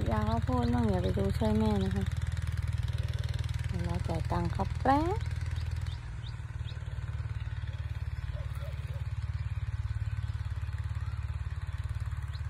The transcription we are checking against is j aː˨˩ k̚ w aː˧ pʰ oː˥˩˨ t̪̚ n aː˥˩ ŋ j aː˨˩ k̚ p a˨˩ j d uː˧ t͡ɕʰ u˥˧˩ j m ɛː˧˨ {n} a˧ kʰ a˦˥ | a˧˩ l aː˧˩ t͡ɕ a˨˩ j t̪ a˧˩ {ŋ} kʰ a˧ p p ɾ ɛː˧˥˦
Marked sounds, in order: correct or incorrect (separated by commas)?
correct, correct